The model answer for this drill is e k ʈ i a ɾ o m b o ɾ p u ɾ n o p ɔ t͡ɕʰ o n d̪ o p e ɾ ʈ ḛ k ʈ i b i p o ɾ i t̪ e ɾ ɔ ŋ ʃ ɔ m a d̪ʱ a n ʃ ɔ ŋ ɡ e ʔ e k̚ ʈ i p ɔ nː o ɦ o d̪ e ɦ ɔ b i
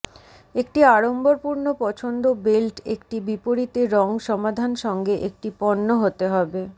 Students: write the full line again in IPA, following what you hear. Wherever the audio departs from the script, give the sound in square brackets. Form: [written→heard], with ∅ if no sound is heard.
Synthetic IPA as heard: e k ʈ i a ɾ o m b o ɾ p u ɾ n o p ɔ t͡ɕʰ o n d̪ o [p→b] e [ɾ→l] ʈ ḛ k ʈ i b i p o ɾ i t̪ e ɾ ɔ ŋ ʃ ɔ m a d̪ʱ a n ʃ ɔ ŋ ɡ e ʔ e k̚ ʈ i p ɔ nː o ɦ o [d̪→t̪] e ɦ ɔ b [i→e]